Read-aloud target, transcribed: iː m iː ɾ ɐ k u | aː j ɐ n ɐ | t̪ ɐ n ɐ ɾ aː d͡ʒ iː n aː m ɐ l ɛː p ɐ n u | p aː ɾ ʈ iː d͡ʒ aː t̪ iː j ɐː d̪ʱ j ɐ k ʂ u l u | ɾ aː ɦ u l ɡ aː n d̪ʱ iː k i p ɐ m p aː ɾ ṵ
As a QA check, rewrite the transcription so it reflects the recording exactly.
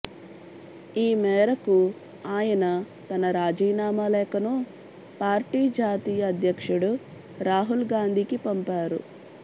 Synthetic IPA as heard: iː m ɛː ɾ ɐ k u | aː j ɐ n ɐ | t̪ ɐ n ɐ ɾ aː d͡ʒ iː n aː m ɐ l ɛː k ɐ n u | p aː ɾ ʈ iː d͡ʒ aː t̪ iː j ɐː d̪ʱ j ɐ k ʂ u ɽ u | ɾ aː ɦ u l ɡ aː n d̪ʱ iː k i p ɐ m p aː ɾ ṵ